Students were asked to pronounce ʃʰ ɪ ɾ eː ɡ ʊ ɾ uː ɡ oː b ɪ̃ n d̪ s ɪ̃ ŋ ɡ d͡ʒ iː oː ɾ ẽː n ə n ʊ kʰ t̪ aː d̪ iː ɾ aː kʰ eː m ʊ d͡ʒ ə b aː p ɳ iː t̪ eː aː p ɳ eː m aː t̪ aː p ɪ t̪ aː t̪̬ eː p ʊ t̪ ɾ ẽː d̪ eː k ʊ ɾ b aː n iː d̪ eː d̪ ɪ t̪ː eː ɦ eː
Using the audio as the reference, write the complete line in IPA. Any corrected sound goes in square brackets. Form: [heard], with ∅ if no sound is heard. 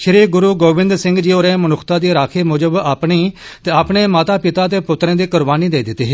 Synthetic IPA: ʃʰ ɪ ɾ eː ɡ ʊ ɾ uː ɡ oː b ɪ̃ n d̪ s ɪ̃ ŋ ɡ d͡ʒ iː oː ɾ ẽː [m] ə n ʊ kʰ t̪ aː d̪ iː ɾ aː kʰ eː m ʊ d͡ʒ ə b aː p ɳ iː t̪ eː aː p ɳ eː m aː t̪ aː p ɪ t̪ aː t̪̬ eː p ʊ t̪ ɾ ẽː d̪ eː k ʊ ɾ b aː n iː d̪ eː d̪ ɪ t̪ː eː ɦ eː

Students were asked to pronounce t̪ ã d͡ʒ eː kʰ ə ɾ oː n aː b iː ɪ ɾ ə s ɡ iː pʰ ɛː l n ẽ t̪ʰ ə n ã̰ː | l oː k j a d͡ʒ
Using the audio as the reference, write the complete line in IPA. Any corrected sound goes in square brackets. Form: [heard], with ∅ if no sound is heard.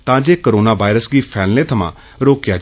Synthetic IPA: t̪ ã d͡ʒ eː [k] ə ɾ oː n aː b [aː] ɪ ɾ ə s ɡ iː pʰ ɛː l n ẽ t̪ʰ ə [m] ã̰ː | [ɾ] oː k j a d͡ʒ

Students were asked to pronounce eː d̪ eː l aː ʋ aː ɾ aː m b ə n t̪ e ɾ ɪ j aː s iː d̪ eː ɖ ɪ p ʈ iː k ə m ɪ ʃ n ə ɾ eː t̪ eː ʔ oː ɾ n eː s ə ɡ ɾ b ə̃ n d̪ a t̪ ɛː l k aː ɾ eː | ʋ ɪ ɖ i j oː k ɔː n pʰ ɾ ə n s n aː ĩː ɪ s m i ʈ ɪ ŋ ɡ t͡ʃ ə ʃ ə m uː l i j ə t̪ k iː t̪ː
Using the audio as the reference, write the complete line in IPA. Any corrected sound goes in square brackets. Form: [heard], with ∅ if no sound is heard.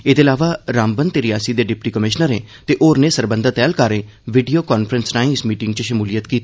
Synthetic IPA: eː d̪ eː l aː ʋ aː ɾ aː m b ə n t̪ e ɾ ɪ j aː s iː d̪ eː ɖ ɪ p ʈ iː k ə m ɪ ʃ n ə ɾ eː t̪ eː ʔ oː ɾ n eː s ə [∅] ɾ b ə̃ n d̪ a t̪ ɛː l k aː ɾ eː | ʋ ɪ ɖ i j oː k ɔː n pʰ ɾ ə n s n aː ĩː ɪ s m [iː] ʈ ɪ ŋ ɡ t͡ʃ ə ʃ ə m uː l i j ə t̪ k iː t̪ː

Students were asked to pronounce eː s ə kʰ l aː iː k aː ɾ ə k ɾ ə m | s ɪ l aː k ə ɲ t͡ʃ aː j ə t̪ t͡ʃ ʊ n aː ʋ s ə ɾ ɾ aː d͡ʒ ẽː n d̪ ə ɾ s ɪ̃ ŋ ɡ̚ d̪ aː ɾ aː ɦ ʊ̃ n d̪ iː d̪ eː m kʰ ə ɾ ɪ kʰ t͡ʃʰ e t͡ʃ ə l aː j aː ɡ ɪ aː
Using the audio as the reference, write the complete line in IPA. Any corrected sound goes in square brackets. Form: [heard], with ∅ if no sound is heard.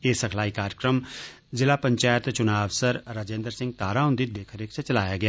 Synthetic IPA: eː s ə kʰ l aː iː k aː ɾ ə k ɾ ə m | [z] ɪ l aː [p] ə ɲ t͡ʃ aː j ə t̪ t͡ʃ ʊ n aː ʋ s ə ɾ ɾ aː d͡ʒ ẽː n d̪ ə ɾ s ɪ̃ ŋ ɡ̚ [t̪] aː ɾ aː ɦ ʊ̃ n d̪ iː d̪ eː [∅] kʰ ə ɾ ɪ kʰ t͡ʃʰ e t͡ʃ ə l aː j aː ɡ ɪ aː

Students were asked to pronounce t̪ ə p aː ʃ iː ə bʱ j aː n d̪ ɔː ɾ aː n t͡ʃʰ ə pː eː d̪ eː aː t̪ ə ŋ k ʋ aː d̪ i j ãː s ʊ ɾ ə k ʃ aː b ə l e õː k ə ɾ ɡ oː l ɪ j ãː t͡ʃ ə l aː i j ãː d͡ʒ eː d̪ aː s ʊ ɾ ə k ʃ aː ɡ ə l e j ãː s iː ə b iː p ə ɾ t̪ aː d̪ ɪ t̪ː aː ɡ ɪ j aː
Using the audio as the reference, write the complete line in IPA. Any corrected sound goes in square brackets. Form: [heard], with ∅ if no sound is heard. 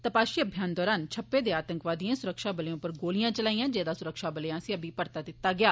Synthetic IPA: t̪ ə p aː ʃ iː ə bʱ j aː n d̪ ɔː ɾ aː n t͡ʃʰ ə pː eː d̪ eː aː t̪ ə ŋ k ʋ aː d̪ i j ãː s ʊ ɾ ə k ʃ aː b ə l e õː [p] ə ɾ ɡ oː l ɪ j ãː t͡ʃ ə l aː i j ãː d͡ʒ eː d̪ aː s ʊ ɾ ə k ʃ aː [b] ə l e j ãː s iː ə b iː p ə ɾ t̪ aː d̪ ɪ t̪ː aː ɡ ɪ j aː

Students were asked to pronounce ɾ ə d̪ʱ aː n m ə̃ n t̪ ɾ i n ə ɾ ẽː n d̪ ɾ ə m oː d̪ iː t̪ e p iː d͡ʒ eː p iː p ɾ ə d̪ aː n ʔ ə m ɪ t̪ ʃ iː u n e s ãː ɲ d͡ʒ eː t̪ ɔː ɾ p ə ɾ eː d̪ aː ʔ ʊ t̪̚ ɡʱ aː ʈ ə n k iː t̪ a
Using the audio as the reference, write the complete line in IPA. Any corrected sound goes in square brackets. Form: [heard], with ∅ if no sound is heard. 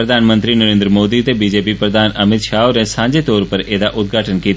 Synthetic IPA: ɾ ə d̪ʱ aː n m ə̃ n t̪ ɾ i n ə ɾ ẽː n d̪ ɾ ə m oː d̪ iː t̪ e [b] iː d͡ʒ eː p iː p ɾ ə d̪ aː n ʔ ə m ɪ t̪ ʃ [aː] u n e s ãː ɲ d͡ʒ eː t̪ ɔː ɾ p ə ɾ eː d̪ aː ʔ ʊ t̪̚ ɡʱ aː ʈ ə n k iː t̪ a

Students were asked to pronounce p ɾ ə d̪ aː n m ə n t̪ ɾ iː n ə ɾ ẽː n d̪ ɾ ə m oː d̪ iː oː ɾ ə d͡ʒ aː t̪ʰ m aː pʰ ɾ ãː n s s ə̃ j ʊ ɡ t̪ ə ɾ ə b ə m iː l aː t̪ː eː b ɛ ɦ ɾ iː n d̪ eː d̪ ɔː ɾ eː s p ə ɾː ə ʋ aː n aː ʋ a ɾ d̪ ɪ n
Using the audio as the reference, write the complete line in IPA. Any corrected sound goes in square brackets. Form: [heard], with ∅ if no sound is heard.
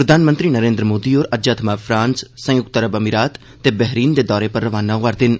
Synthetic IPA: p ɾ ə d̪ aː n m ə n t̪ ɾ iː n ə ɾ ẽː n d̪ ɾ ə m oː d̪ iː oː ɾ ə d͡ʒ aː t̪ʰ m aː pʰ ɾ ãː n s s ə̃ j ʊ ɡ t̪ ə ɾ ə b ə m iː [ɾ] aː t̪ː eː b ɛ ɦ ɾ iː n d̪ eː d̪ ɔː ɾ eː [∅] p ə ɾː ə ʋ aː n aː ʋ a ɾ d̪ ɪ n

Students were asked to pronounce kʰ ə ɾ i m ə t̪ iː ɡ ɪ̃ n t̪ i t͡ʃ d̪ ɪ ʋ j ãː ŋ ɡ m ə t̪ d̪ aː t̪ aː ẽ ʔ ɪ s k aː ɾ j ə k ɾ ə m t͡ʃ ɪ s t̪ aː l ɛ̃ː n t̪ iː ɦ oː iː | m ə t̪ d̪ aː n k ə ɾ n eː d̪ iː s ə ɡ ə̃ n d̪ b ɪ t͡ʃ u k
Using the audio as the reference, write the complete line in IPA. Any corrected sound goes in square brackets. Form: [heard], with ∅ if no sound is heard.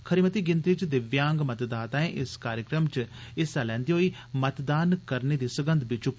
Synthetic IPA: kʰ ə ɾ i m ə t̪ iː ɡ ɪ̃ n t̪ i t͡ʃ d̪ ɪ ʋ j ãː ŋ ɡ m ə t̪ d̪ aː t̪ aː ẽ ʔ ɪ s k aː ɾ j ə k ɾ ə m t͡ʃ ɪ s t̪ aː l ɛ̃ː n [d̪] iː ɦ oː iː | m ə t̪ d̪ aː n k ə ɾ n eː d̪ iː s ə ɡ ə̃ n d̪ b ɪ t͡ʃ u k

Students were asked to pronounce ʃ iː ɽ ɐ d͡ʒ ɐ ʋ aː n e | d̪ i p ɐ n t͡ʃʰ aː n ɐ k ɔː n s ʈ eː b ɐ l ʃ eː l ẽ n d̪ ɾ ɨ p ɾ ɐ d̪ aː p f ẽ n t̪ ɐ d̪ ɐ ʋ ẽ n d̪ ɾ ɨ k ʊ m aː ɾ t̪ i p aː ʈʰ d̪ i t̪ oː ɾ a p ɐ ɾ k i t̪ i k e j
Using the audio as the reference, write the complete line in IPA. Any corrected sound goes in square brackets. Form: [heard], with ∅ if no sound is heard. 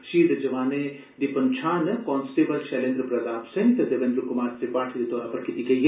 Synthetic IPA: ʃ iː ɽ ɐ d͡ʒ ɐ ʋ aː n e | d̪ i p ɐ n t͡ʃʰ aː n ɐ k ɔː n s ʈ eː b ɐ l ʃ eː l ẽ n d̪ ɾ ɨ p ɾ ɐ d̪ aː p [s] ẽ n t̪ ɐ d̪ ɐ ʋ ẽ n d̪ ɾ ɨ k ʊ m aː ɾ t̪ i p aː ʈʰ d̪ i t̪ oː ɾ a p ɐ ɾ k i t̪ i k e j

